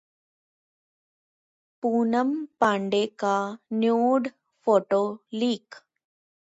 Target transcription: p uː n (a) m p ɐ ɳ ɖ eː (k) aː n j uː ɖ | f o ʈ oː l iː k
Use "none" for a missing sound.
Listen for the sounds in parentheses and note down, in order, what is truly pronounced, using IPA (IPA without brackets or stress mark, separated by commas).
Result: ɐ, k